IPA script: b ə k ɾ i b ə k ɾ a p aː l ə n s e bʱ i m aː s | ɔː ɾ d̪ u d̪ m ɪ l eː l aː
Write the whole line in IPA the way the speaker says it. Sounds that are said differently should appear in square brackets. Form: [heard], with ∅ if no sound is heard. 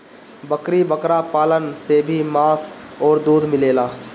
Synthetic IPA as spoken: b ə k ɾ i b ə k ɾ a p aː l ə n s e bʱ i m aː s | ɔː ɾ d̪ [uː] d̪ m ɪ l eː l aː